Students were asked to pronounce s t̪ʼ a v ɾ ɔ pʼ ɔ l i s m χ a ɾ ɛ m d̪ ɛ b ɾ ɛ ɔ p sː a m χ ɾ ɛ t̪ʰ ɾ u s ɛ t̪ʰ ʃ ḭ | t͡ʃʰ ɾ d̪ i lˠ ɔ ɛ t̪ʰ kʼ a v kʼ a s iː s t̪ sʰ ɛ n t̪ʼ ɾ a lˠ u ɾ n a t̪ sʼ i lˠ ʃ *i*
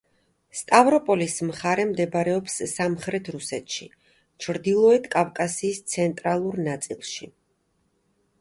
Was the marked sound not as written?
no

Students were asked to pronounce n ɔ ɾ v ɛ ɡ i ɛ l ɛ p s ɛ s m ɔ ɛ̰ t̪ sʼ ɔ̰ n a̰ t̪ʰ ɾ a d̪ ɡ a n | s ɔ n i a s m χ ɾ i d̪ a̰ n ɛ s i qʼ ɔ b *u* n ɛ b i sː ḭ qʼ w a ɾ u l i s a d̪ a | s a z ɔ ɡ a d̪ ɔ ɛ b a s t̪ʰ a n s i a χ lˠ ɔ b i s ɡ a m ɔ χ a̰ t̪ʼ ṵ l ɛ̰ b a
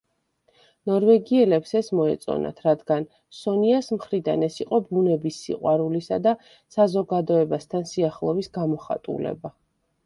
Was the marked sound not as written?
no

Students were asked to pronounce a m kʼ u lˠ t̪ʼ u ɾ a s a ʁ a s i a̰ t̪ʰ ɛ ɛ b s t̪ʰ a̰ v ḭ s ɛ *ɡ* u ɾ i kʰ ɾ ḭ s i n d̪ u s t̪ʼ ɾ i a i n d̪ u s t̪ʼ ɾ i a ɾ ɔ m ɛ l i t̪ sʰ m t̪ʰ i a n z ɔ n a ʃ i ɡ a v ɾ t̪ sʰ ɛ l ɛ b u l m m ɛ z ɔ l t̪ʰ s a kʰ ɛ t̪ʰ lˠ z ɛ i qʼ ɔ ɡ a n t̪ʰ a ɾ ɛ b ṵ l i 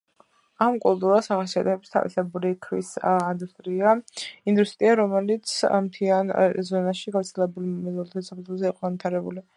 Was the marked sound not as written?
yes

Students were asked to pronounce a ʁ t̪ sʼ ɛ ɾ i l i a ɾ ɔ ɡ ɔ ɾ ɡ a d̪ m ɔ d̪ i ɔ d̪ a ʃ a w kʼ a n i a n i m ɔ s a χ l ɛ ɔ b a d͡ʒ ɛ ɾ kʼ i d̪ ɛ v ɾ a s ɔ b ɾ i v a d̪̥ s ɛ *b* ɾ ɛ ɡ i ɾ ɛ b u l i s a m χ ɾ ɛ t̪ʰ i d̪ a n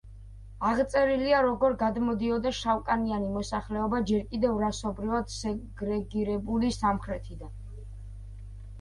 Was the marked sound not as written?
yes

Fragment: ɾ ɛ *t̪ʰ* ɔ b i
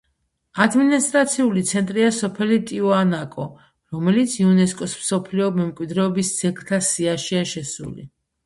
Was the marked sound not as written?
yes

